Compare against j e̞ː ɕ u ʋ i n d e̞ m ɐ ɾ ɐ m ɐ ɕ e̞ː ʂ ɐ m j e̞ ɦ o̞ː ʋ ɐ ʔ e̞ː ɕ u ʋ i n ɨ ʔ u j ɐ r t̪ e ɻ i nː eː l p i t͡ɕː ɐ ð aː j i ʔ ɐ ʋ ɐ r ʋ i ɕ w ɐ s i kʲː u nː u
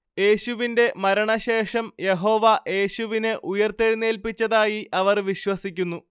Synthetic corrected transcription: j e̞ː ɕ u ʋ i n d e̞ m ɐ ɾ ɐ ɳ ɐ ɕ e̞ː ʂ ɐ m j e̞ ɦ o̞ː ʋ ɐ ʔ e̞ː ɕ u ʋ i n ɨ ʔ u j ɐ r t̪ e ɻ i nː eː l p i t͡ɕː ɐ ð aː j i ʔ ɐ ʋ ɐ r ʋ i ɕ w ɐ s i kʲː u nː u